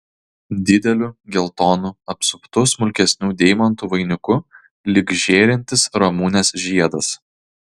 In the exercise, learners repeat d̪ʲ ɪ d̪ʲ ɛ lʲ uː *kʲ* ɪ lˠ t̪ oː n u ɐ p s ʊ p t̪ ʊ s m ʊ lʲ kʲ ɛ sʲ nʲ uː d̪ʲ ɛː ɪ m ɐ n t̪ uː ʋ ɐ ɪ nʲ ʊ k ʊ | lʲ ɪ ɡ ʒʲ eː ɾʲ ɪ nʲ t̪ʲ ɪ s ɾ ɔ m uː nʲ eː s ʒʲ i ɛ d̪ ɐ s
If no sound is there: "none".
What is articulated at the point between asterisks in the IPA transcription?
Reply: ɡʲ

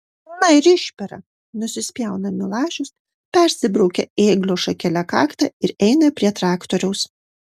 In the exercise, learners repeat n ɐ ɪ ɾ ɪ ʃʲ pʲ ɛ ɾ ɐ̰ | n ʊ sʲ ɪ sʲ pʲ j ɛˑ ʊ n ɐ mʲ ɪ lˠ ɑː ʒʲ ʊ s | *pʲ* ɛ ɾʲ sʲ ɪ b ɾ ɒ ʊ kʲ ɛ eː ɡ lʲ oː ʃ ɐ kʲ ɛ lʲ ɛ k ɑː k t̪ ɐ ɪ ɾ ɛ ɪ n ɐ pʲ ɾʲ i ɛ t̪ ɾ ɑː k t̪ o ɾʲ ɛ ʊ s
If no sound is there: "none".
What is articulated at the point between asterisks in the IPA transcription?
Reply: pʲ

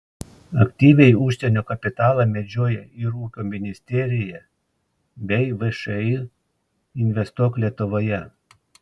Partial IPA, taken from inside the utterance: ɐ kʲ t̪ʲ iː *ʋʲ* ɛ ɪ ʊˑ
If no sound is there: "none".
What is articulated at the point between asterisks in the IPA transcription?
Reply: ʋʲ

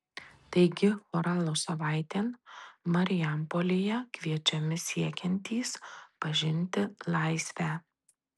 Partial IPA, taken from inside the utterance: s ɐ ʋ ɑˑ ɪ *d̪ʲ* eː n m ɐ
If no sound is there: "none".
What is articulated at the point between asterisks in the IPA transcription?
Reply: t̪ʲ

